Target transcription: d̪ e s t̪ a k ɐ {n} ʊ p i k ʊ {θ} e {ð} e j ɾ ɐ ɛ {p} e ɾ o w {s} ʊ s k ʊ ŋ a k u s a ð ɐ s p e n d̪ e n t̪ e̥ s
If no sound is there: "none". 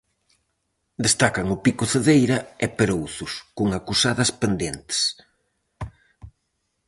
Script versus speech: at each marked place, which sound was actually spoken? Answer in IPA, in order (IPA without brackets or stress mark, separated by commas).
ŋ, θ, ð, p, θ